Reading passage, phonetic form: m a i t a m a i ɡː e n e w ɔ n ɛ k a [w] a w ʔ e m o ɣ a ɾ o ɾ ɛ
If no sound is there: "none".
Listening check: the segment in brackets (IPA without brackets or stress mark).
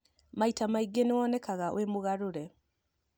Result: ɣ